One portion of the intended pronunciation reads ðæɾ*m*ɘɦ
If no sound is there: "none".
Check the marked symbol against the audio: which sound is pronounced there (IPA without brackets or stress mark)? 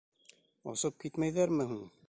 m